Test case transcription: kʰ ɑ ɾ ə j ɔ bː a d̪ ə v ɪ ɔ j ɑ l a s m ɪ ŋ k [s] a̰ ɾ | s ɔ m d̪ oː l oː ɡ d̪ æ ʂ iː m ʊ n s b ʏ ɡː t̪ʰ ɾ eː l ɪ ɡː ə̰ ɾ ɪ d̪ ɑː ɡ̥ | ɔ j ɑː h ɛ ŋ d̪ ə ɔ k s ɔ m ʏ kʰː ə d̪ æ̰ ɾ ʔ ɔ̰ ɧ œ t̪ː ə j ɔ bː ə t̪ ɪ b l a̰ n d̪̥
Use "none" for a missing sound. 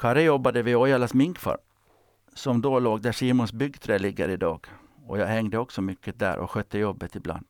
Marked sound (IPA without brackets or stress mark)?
f